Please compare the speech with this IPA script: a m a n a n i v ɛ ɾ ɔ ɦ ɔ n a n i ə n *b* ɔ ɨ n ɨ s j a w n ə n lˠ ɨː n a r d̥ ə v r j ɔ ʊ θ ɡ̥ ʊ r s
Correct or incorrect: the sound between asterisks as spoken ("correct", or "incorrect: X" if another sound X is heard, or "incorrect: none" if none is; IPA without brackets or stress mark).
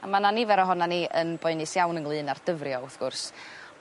correct